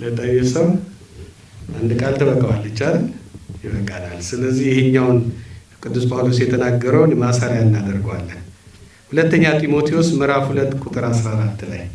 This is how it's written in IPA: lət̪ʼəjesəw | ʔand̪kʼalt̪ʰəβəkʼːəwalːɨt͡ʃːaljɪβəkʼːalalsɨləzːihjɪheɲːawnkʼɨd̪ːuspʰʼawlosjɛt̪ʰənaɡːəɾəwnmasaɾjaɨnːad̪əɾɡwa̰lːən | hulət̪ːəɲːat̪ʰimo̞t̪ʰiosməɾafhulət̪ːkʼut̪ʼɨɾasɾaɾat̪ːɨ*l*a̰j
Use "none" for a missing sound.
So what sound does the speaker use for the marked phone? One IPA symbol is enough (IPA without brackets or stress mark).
l